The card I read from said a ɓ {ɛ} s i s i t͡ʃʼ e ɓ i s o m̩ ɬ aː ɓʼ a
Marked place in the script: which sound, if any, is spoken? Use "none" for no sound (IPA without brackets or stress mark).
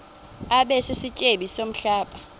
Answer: ɛ